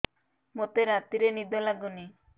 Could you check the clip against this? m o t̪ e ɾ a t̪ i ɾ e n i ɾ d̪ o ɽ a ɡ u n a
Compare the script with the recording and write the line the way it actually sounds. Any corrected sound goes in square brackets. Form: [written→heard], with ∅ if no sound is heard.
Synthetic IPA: m o t̪ e ɾ a t̪ i ɾ e n i [ɾ→∅] d̪ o [ɽ→l] a ɡ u n [a→i]